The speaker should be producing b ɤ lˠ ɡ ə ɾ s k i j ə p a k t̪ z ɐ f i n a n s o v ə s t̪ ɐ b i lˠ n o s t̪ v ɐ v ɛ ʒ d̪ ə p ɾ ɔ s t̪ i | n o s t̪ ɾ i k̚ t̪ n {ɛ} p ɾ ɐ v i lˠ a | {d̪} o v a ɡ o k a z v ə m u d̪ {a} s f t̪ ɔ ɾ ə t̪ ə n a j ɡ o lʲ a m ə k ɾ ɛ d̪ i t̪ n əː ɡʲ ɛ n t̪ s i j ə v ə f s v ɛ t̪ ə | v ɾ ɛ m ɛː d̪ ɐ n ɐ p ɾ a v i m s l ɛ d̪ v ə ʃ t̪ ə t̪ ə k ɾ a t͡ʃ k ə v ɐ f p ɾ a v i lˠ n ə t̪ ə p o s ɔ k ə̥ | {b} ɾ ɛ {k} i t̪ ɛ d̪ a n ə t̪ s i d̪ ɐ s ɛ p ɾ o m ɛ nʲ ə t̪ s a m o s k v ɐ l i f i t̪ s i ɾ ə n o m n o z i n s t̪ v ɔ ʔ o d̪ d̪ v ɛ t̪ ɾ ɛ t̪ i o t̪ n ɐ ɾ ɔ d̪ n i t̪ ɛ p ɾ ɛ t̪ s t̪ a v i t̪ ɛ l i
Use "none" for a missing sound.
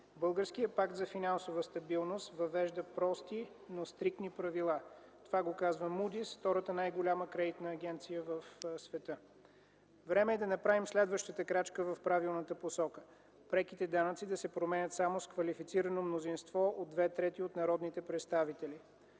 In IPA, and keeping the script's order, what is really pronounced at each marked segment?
i, t̪, i, p, k

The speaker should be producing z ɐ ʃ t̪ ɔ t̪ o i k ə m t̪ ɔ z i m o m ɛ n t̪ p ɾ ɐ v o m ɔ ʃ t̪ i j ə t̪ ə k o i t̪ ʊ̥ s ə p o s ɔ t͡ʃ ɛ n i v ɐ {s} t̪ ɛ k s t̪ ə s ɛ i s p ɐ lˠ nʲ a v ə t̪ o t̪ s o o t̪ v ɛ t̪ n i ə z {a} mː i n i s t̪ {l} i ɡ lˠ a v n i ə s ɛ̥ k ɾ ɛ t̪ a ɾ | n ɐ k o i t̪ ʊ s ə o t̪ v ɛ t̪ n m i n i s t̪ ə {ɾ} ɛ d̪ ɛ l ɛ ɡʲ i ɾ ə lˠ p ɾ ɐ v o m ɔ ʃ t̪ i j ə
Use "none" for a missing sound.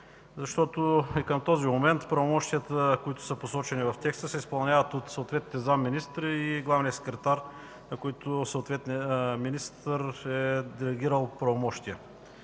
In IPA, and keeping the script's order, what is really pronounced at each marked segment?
f, a, ɾ, ɾ

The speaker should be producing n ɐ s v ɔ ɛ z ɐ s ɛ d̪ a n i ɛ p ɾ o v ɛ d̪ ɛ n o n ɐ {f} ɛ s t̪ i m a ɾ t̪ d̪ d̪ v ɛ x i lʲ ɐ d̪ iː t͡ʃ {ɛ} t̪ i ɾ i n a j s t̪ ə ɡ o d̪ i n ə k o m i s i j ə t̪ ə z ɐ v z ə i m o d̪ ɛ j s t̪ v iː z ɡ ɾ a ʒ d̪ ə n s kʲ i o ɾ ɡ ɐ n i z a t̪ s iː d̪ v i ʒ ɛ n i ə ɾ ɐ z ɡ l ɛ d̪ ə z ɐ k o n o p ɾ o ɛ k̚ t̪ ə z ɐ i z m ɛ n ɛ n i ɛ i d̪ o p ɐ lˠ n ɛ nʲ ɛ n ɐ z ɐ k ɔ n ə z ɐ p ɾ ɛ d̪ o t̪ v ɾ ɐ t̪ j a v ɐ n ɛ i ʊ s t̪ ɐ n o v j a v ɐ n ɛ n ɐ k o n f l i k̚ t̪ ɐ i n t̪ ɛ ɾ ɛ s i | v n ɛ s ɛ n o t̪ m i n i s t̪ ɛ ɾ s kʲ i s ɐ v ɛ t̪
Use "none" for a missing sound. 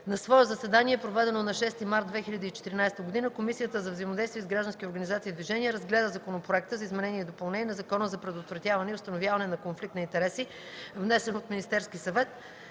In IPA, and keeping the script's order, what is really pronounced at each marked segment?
ʃ, ɛ

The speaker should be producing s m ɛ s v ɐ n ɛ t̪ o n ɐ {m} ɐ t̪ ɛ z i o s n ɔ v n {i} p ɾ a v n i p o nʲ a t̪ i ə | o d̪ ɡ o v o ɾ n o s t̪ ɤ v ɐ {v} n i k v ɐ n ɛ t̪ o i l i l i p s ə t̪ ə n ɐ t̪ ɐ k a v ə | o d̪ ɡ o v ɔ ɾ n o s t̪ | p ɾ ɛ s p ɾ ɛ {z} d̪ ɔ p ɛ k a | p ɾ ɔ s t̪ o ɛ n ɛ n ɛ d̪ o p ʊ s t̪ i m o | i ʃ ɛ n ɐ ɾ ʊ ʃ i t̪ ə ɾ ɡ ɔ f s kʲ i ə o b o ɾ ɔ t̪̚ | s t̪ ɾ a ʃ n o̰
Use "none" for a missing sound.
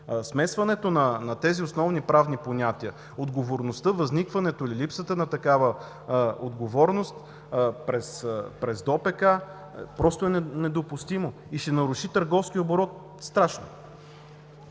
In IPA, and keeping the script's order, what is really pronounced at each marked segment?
n, i, z, z

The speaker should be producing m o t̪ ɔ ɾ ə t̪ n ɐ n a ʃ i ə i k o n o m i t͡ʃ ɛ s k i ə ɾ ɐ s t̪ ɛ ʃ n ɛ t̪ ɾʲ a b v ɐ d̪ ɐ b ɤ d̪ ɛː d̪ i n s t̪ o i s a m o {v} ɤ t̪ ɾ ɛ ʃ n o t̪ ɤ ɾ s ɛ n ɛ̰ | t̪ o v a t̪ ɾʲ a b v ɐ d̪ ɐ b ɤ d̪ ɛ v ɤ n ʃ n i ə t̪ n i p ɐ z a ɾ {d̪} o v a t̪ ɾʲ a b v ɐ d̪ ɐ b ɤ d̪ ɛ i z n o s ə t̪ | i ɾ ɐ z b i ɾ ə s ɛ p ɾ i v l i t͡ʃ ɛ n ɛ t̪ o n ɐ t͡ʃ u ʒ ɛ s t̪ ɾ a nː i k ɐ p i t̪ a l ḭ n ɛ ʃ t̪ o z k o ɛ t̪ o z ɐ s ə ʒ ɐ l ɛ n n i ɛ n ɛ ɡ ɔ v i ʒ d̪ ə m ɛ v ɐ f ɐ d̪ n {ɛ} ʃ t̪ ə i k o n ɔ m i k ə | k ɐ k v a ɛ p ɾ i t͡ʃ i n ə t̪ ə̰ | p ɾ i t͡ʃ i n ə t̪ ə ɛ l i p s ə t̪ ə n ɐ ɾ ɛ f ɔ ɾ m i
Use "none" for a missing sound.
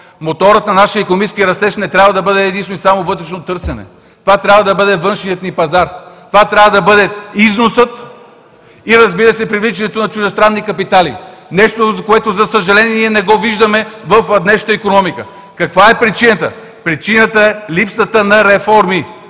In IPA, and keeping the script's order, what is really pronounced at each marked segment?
v, t̪, ɛ

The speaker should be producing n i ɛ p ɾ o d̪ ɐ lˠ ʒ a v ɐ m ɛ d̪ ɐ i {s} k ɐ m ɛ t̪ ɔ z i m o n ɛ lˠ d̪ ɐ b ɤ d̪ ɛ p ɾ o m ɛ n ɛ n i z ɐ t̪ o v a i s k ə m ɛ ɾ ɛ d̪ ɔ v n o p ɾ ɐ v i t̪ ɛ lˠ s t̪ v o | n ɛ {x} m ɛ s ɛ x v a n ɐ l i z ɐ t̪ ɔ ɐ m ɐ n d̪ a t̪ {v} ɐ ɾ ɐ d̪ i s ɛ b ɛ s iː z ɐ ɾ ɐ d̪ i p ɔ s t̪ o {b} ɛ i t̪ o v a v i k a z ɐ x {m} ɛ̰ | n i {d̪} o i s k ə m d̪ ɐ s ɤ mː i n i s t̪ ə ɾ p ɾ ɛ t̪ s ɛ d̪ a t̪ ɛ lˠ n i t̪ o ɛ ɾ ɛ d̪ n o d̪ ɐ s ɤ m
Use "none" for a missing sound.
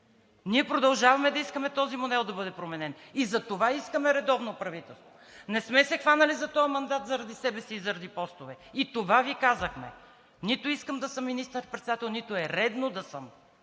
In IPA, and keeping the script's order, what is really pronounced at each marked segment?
s, s, z, v, m, t̪

